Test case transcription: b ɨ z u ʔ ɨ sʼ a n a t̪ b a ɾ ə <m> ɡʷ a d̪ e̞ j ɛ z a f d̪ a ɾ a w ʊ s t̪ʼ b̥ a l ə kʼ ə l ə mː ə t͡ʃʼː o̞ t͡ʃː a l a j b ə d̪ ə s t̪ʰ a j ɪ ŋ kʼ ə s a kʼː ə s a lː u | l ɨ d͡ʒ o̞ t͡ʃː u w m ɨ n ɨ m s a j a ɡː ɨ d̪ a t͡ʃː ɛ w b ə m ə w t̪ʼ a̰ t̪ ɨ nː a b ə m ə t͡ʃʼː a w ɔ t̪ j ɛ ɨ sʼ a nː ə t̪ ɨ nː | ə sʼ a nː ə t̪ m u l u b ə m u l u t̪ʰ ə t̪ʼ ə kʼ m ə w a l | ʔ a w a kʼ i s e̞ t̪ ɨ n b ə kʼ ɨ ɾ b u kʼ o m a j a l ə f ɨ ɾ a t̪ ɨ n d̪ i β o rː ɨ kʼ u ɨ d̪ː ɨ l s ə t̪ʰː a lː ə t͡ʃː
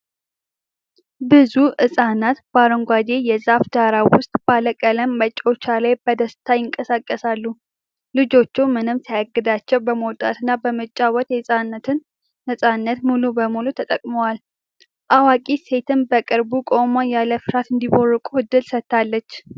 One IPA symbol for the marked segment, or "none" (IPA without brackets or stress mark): ŋ